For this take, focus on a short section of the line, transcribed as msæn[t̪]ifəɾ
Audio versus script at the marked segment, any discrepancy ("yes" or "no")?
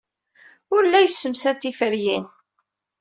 no